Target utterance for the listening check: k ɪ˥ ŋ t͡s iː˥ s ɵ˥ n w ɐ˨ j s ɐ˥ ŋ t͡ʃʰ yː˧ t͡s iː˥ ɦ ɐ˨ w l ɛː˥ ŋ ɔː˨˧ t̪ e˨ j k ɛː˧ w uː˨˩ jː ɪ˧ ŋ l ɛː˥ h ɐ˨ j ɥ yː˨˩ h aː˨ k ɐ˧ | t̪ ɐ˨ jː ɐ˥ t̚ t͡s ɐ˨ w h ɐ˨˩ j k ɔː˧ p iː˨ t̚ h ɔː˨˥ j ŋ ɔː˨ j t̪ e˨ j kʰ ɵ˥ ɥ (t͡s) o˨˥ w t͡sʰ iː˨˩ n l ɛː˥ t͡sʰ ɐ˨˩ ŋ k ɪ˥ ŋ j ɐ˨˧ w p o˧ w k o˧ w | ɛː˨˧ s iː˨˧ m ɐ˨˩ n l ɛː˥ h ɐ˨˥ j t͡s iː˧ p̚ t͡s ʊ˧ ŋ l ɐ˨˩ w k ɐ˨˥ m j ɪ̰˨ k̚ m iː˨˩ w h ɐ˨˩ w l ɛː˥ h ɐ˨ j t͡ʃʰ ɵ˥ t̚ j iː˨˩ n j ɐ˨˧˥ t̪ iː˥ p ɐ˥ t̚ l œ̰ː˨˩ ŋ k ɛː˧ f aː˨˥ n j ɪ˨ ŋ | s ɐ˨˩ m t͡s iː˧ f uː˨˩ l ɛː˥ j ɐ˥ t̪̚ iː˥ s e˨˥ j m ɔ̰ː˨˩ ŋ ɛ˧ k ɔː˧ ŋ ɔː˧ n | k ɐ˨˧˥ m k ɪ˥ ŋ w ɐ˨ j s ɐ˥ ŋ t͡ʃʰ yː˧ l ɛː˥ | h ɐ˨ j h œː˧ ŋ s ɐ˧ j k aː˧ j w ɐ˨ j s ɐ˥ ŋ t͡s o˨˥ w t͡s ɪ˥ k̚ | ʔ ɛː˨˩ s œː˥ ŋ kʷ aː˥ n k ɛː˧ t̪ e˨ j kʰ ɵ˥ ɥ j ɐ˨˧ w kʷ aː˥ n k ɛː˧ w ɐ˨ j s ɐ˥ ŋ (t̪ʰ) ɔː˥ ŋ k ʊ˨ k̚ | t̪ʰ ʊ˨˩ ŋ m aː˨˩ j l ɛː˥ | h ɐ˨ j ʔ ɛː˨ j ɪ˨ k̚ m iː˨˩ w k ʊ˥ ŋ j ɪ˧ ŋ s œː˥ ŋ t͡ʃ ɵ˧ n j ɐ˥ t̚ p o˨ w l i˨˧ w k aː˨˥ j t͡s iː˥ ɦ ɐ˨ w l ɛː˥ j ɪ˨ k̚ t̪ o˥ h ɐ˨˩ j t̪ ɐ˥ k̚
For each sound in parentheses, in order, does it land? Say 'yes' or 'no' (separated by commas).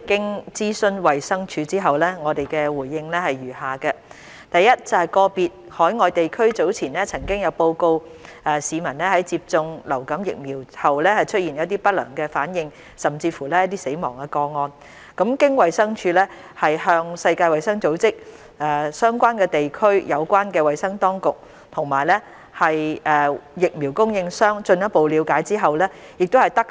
yes, no